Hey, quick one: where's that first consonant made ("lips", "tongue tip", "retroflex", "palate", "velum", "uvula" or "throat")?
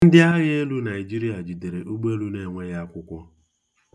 tongue tip